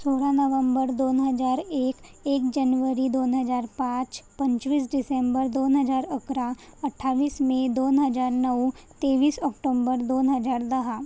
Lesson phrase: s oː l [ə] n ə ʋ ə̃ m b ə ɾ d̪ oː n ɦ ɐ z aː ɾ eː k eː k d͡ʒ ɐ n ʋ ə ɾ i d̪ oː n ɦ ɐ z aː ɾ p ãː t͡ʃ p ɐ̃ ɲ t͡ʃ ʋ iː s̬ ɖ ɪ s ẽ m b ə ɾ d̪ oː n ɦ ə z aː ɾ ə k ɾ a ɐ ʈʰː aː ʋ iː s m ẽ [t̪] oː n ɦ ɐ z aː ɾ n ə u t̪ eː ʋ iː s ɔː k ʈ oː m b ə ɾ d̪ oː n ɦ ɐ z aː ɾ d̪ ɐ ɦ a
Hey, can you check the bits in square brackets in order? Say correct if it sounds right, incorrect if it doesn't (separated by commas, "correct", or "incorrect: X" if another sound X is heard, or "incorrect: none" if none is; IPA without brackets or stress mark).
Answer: incorrect: a, incorrect: d̪